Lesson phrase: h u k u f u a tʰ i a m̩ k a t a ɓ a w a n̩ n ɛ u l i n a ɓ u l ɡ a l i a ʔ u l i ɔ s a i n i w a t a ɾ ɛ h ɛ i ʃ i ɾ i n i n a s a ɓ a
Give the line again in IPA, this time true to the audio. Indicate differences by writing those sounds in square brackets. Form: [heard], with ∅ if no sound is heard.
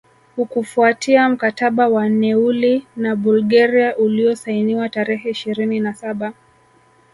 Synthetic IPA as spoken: h u k u f u a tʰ i a m̩ k a t a ɓ a w a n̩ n ɛ u l i n a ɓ u l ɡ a [ɾ] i a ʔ u l i ɔ s a i n i w a t a ɾ ɛ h ɛ i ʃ i ɾ i n i n a s a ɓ a

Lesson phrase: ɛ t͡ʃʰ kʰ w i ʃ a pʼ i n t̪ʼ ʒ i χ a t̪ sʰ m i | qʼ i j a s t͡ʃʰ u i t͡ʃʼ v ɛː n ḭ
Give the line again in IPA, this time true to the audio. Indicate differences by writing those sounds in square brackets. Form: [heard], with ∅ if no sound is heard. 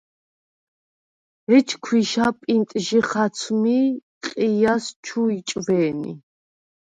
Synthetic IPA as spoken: ɛ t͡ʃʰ kʰ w i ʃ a pʼ i n t̪ʼ ʒ i χ a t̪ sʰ m i | qʼ i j a s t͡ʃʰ u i t͡ʃʼ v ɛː n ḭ

